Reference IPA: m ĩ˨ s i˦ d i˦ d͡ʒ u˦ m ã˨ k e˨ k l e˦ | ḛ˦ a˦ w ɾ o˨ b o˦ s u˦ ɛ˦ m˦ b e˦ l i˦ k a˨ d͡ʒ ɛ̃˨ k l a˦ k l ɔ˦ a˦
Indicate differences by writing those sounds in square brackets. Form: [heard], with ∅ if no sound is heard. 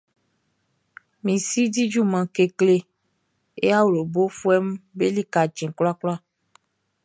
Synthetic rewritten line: m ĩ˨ s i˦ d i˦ d͡ʒ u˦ m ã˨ k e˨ k l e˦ | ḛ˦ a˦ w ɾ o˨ b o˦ [f] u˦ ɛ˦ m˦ b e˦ l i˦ k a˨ d͡ʒ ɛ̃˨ k l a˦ k l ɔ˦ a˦